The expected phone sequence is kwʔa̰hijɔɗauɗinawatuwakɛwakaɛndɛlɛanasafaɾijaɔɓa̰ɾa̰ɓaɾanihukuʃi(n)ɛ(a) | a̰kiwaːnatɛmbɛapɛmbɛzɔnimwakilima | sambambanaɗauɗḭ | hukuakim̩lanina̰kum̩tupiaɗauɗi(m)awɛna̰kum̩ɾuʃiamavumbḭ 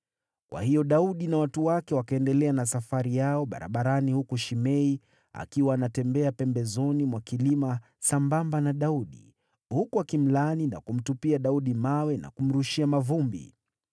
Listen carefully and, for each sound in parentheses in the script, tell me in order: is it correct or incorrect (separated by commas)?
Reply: incorrect, incorrect, correct